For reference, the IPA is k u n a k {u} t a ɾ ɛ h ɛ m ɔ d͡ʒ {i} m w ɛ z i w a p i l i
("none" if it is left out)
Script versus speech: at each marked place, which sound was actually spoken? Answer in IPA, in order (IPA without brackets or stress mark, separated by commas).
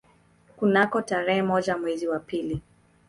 ɔ, a